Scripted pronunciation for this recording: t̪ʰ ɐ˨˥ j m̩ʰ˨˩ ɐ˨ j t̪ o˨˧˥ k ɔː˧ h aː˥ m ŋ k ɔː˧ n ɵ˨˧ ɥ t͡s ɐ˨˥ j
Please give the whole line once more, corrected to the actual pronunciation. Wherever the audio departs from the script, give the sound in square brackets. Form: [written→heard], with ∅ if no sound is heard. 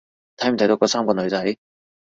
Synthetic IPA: t̪ʰ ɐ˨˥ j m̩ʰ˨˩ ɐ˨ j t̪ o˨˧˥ k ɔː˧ [h→s] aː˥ m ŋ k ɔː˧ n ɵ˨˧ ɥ t͡s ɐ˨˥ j

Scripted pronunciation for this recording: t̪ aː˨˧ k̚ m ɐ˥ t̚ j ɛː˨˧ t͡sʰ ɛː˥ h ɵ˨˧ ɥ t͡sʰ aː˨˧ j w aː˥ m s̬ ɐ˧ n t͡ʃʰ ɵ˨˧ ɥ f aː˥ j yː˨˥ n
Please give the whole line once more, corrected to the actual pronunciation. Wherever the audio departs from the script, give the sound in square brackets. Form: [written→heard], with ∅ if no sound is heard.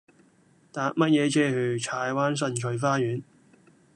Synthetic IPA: t̪ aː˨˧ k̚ m ɐ˥ t̚ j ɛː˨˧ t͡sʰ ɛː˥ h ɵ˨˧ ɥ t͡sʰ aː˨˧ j w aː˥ [m→n] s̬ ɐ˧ n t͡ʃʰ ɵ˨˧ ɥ f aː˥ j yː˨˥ n

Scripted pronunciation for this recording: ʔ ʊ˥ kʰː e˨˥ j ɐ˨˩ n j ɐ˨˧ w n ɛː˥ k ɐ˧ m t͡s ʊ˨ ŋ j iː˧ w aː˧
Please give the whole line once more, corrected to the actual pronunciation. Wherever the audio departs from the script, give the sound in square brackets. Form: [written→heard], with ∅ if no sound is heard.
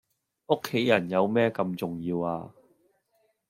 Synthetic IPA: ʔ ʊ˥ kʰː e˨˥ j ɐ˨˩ n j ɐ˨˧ w [n→m] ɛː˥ k ɐ˧ m t͡s ʊ˨ ŋ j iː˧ w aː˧

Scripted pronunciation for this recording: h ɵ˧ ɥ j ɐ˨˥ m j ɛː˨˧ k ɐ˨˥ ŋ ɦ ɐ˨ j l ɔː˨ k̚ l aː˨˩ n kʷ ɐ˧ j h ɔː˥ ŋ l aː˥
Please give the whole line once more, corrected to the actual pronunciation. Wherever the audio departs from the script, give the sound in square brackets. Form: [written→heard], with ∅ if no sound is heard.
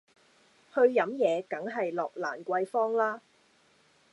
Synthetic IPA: h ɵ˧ ɥ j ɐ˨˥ m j ɛː˨˧ k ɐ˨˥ ŋ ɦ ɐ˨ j l ɔː˨ k̚ l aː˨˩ n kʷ ɐ˧ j [h→f] ɔː˥ ŋ l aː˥

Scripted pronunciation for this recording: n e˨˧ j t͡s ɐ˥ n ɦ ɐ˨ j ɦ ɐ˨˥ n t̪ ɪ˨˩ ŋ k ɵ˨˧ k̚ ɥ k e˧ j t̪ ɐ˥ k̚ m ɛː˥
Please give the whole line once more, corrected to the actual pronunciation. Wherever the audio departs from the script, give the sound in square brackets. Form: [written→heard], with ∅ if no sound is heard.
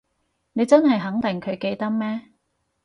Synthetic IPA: n e˨˧ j t͡s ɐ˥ n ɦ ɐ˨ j ɦ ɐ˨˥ [n→ŋ] t̪ ɪ˨˩ ŋ [k→kʰ] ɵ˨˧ [k̚→∅] ɥ k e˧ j t̪ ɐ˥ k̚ m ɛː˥

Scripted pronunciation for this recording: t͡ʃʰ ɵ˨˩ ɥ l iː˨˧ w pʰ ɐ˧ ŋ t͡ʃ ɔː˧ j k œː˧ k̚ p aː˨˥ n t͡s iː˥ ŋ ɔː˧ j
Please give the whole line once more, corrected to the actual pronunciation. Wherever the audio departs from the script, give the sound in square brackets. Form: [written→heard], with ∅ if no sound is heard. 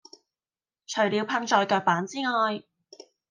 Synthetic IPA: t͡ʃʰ ɵ˨˩ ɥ l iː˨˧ w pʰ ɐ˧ ŋ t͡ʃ ɔː˧ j k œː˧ k̚ p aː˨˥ n t͡s iː˥ ŋ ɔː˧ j

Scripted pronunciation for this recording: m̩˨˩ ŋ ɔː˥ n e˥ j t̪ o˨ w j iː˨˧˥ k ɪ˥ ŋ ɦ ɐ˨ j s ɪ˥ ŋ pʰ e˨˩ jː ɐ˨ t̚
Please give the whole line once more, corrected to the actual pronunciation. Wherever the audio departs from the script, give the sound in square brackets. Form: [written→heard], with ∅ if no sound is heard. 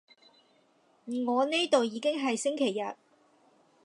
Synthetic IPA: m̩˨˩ ŋ [ɔː˥→ɔː˨˧] n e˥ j t̪ o˨ w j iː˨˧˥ k ɪ˥ ŋ ɦ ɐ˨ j s ɪ˥ ŋ [pʰ→kʰ] e˨˩ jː ɐ˨ t̚

